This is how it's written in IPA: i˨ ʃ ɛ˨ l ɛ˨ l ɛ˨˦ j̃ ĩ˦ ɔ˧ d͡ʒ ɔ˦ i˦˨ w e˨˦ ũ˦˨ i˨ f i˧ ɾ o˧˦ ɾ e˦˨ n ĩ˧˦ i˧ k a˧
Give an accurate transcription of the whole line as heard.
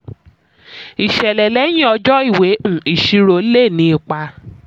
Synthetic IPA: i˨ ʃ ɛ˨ l ɛ˨ l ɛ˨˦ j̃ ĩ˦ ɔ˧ d͡ʒ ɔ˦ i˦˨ w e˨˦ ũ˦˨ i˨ ʃ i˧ ɾ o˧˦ l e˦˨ n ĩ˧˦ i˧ k͡p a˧